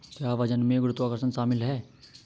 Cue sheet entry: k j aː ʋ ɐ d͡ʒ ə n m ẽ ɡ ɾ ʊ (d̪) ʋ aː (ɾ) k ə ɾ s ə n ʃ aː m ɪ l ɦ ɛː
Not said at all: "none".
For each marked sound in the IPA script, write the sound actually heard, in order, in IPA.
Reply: t̪, none

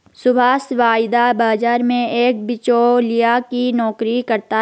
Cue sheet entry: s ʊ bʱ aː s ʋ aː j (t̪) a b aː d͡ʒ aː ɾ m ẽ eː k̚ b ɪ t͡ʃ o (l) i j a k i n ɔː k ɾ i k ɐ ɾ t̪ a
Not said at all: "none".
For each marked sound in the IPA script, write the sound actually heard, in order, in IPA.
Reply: d̪, l

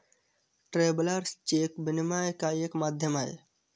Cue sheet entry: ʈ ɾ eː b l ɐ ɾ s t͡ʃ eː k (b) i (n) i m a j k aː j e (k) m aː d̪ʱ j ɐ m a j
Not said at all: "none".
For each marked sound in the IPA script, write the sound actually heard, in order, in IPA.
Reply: b, n, k

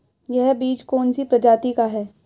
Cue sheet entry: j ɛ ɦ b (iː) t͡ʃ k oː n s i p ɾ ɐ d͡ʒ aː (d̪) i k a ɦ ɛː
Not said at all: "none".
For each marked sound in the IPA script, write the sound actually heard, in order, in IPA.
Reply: iː, t̪

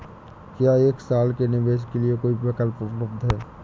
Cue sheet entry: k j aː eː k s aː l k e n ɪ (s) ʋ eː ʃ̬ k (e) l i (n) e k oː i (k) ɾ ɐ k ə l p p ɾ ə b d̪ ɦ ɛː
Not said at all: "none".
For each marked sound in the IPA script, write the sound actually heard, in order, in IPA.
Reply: none, e, none, p

